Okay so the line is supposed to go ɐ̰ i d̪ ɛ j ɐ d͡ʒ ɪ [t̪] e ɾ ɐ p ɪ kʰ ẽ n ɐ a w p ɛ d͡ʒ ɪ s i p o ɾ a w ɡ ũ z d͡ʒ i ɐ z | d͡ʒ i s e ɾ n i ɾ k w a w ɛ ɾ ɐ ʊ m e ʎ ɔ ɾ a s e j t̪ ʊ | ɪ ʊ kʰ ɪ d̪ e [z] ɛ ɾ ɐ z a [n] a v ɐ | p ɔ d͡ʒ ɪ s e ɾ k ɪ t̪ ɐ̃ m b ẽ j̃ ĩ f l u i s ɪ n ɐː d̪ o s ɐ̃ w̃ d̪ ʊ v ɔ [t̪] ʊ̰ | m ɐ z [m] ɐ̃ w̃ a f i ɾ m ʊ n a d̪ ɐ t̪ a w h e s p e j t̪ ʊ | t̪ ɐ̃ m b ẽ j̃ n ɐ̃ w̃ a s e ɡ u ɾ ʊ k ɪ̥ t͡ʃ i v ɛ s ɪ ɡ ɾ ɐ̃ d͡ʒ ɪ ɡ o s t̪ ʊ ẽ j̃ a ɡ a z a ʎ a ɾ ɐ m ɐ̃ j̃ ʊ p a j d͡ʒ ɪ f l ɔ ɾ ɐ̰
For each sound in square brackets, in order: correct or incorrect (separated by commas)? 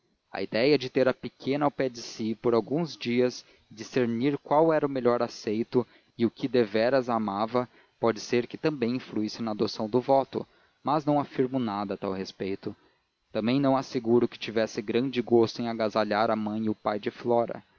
correct, incorrect, incorrect, correct, incorrect